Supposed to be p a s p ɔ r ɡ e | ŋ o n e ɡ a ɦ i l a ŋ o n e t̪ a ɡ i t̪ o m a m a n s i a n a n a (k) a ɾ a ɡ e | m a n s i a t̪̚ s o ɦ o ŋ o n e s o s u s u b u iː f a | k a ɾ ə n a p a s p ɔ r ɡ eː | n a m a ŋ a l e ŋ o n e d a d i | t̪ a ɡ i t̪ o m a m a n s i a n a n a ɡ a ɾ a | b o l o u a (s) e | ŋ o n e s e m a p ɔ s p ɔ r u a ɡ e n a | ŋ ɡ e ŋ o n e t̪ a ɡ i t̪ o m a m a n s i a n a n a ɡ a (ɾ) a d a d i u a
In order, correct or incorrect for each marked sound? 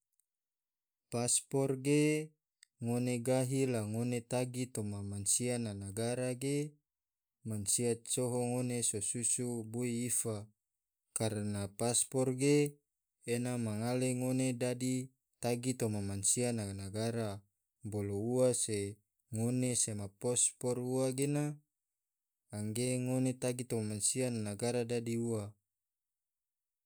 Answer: incorrect: ɡ, correct, correct

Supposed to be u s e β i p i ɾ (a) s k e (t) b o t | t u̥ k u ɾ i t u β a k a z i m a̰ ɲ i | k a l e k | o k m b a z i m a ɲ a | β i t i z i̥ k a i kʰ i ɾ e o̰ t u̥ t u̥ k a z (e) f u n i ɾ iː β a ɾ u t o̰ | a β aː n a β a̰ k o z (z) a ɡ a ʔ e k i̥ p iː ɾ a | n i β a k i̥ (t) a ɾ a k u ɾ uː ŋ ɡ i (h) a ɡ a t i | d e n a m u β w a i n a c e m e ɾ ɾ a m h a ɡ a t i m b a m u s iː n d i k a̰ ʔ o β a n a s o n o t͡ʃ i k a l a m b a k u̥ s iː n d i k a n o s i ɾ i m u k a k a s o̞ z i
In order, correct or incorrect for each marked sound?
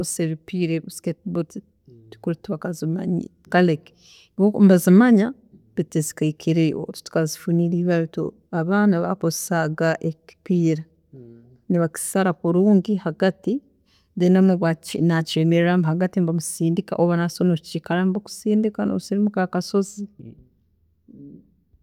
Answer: incorrect: e, correct, incorrect: i, incorrect: s, incorrect: s, correct

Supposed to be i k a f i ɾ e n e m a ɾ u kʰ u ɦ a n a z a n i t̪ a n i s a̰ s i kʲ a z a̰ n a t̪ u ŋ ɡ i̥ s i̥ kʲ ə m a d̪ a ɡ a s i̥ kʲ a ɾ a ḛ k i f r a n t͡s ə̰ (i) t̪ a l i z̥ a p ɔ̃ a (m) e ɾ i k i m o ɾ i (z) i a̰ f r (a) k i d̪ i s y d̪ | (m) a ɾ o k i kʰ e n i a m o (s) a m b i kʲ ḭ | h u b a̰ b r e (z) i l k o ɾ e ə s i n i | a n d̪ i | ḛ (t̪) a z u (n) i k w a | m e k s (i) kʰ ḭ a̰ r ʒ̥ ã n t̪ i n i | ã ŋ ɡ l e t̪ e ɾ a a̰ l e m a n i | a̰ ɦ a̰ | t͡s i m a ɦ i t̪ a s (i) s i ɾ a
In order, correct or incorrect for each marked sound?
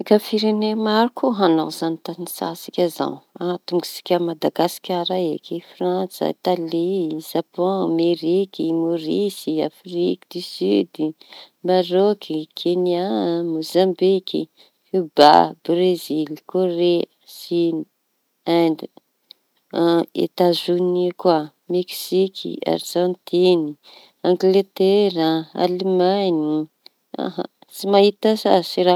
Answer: correct, correct, incorrect: s, incorrect: i, correct, incorrect: z, correct, correct, correct, correct, incorrect: a

